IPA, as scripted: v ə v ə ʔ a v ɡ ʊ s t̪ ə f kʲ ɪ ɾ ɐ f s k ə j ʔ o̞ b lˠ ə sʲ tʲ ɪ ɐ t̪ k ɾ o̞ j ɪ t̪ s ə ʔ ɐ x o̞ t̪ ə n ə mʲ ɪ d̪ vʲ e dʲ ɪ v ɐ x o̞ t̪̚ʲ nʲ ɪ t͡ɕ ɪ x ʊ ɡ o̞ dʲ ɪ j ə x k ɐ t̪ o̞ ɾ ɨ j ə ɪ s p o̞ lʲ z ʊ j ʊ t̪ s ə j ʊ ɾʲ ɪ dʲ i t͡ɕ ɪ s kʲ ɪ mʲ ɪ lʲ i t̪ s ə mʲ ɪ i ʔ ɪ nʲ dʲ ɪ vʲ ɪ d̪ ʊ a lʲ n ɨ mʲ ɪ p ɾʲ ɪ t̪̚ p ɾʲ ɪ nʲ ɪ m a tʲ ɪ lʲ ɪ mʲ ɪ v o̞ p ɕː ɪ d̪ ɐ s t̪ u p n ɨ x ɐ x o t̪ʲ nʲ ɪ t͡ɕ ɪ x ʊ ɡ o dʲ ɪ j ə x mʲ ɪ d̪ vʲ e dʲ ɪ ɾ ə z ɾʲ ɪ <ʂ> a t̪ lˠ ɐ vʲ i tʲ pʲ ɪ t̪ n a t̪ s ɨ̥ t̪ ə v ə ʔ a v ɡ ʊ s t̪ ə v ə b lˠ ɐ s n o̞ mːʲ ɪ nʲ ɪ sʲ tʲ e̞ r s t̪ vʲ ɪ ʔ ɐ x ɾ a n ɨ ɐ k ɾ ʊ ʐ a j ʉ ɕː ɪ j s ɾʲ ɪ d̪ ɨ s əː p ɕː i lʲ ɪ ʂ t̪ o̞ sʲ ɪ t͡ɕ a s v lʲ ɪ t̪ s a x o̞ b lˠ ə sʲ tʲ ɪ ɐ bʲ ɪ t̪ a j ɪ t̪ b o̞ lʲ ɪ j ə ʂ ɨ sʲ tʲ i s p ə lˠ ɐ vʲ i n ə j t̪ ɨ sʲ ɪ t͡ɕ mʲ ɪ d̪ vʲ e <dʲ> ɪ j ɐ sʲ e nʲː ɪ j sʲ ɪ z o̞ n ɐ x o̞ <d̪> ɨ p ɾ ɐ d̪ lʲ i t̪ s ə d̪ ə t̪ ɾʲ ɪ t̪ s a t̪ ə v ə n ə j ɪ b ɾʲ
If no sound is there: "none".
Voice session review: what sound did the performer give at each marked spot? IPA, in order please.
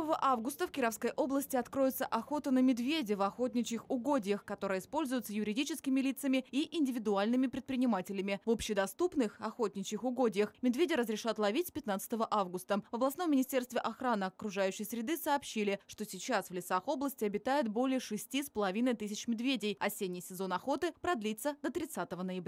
ʂ, dʲ, t̪

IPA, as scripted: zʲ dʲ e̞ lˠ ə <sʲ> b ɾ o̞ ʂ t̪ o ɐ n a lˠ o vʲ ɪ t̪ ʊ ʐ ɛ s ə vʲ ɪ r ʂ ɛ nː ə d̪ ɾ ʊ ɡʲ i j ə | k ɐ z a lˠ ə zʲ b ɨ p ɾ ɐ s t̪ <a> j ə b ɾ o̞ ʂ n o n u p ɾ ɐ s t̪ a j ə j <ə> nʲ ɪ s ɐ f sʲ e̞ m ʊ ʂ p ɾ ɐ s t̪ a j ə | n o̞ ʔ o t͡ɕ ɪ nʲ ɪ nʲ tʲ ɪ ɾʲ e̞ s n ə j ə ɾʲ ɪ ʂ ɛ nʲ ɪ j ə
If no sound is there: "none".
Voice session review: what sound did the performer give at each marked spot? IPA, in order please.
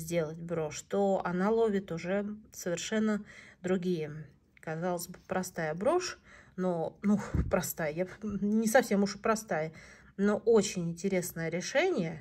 tʲ, a, a

